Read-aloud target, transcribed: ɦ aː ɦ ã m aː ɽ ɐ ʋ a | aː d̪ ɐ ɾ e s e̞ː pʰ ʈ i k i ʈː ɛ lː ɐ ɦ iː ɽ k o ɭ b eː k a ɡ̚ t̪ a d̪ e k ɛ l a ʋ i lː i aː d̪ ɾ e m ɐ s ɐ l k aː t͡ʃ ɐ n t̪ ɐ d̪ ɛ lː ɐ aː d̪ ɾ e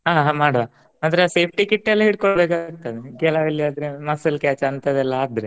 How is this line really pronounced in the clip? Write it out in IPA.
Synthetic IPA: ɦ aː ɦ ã m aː ɽ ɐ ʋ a | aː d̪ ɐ ɾ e s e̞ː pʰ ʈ i k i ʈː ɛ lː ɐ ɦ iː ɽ k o ɭ b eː k a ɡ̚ t̪ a d̪ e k ɛ l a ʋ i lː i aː d̪ ɾ e m ɐ s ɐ l k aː t͡ʃ ɐ n t̪ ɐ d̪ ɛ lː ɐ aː d̪ ɾ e